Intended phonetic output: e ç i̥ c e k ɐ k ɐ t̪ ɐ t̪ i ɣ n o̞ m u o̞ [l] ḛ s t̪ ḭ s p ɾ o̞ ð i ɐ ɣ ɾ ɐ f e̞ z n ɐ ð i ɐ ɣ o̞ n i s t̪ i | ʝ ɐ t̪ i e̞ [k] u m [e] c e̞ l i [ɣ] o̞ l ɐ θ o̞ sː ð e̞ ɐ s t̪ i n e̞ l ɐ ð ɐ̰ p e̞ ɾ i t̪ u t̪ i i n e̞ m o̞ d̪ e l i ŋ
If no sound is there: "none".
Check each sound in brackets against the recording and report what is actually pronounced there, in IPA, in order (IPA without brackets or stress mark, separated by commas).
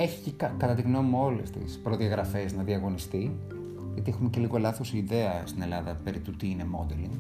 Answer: l, x, e, ɣ